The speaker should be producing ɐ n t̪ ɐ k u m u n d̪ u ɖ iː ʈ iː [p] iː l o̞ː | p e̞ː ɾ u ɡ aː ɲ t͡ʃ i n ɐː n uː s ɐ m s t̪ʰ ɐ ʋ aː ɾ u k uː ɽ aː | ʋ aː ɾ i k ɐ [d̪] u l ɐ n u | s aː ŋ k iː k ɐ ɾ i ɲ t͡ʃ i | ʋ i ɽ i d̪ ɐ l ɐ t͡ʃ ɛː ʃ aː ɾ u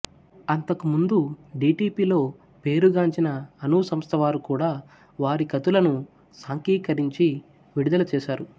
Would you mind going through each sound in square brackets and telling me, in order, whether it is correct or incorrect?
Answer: correct, incorrect: t̪

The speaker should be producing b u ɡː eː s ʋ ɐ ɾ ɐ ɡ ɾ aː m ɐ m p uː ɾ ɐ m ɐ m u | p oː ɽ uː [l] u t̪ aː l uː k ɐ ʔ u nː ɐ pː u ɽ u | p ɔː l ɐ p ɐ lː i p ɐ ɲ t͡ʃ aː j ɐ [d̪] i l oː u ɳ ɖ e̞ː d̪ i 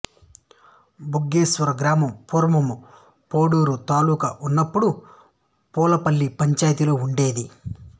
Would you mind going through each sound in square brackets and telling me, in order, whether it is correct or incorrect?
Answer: incorrect: ɾ, incorrect: t̪

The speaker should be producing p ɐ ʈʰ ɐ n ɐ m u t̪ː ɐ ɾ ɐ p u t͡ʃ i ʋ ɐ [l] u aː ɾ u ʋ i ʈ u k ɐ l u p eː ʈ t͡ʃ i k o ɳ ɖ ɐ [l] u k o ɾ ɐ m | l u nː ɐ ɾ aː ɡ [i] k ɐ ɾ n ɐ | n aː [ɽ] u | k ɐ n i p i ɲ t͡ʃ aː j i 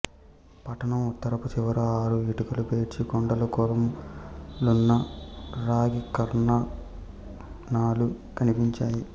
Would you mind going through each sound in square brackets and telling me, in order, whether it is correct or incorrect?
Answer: incorrect: ɾ, correct, correct, incorrect: l

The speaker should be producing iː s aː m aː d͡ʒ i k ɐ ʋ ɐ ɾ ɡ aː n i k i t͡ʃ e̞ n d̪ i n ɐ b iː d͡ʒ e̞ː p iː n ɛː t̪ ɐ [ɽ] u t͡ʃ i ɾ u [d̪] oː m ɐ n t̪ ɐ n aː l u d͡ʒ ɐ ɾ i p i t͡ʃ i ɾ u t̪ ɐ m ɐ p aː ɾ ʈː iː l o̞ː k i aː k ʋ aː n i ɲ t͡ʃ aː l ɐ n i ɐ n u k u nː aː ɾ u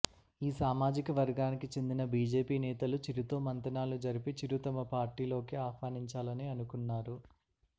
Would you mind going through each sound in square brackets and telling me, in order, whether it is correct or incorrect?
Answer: incorrect: l, incorrect: t̪

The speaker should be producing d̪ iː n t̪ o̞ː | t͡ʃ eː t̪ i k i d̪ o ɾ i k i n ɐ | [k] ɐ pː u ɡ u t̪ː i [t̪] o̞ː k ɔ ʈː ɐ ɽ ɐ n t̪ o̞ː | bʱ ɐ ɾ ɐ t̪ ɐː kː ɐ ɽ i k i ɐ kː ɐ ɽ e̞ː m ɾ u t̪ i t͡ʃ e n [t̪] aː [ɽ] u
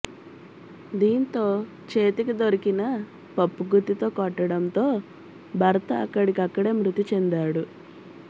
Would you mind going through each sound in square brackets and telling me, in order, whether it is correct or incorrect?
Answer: incorrect: p, correct, incorrect: d̪, correct

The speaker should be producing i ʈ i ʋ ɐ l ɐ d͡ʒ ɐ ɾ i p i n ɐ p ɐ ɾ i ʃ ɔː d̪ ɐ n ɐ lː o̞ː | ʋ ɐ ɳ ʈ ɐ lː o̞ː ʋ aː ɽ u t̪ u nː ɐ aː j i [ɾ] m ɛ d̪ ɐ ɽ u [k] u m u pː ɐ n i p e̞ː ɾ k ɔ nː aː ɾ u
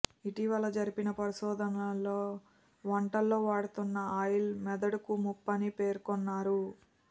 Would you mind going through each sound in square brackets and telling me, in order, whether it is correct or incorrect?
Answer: incorrect: l, correct

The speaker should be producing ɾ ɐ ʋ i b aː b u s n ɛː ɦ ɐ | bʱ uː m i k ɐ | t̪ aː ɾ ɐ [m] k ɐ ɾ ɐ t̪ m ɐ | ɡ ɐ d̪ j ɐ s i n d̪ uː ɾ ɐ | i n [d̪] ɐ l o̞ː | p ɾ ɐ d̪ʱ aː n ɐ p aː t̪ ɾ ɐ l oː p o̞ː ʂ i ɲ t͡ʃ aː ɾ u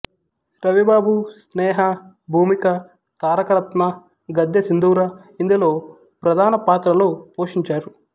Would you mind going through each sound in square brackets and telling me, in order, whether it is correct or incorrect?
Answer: incorrect: none, correct

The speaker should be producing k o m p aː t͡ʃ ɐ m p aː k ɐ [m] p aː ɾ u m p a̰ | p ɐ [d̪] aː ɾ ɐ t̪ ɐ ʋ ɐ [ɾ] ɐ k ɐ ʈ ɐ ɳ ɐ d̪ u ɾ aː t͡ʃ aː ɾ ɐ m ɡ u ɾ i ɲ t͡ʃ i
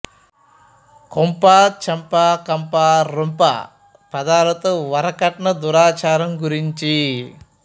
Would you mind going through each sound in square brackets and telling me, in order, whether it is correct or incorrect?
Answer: correct, correct, correct

